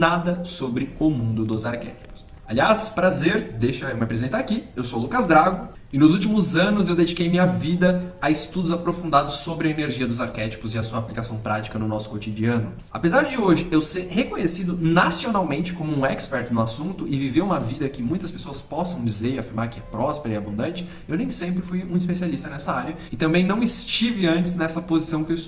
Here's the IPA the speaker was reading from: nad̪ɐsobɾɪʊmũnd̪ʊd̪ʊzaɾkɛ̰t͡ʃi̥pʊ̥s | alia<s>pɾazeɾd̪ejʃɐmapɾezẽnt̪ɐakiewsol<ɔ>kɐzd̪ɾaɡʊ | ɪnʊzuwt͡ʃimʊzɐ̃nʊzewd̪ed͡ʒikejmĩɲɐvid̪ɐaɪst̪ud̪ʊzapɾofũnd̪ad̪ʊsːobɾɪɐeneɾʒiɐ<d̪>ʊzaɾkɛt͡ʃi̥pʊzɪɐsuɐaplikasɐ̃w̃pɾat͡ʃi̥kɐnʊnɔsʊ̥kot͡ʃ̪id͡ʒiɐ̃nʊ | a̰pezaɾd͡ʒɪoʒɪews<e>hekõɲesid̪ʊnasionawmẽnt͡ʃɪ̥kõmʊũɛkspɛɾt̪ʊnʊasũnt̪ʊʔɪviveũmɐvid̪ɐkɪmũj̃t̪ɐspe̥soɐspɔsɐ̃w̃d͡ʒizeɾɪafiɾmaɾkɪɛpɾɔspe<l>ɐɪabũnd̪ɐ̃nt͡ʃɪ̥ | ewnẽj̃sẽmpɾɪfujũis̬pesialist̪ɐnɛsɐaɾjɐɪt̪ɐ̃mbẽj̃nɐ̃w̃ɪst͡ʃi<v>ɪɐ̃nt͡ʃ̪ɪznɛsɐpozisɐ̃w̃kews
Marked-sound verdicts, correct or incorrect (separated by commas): correct, incorrect, correct, correct, incorrect, correct